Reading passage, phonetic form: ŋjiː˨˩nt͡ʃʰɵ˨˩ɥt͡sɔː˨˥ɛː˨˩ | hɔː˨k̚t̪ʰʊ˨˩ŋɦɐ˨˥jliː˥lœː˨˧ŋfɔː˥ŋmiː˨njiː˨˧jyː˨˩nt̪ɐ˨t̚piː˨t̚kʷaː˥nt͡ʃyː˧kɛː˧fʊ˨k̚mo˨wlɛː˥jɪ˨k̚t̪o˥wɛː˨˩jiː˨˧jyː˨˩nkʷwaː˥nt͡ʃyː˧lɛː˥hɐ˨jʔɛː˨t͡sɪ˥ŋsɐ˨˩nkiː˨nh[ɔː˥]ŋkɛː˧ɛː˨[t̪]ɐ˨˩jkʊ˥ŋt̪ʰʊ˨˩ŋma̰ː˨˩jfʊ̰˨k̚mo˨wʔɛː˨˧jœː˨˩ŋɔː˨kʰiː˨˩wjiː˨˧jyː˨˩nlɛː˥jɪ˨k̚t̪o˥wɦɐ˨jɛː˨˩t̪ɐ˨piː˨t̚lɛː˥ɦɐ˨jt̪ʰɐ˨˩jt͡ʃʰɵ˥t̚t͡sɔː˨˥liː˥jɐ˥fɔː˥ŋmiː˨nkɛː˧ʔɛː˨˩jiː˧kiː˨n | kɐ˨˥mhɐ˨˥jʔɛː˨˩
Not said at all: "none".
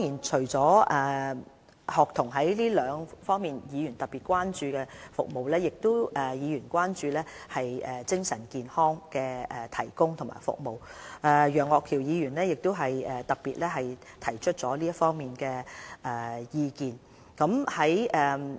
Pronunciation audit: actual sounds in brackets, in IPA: ɔː˥, t̪ʰ

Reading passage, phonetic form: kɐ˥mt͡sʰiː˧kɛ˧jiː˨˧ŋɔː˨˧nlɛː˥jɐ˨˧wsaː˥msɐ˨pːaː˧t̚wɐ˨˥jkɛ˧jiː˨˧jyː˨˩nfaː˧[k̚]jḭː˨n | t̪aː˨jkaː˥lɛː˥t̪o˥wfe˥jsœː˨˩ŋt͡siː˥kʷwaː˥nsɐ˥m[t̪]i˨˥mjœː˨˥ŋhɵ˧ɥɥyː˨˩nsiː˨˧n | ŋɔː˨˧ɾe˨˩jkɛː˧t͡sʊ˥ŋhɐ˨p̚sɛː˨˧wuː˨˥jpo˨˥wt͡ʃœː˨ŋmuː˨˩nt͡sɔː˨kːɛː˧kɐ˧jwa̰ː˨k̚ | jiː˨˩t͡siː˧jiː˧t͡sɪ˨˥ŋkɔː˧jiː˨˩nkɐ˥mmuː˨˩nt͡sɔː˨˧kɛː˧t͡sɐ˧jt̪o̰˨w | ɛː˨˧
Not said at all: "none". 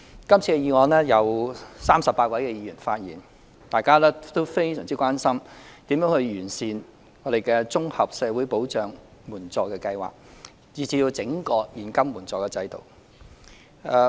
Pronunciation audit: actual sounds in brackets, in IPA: t̚, t̪

